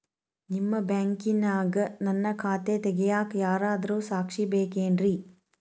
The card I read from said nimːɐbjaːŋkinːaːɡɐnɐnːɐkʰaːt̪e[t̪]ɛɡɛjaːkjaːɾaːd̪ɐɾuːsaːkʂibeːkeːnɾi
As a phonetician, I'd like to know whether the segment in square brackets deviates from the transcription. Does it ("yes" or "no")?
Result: no